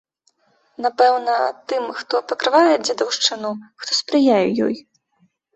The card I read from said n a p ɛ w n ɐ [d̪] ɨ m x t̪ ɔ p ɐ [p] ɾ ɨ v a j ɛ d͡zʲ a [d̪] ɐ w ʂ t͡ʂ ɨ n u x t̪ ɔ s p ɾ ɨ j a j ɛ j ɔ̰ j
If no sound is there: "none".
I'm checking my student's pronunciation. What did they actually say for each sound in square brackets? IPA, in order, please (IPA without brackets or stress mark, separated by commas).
t̪, k, d̪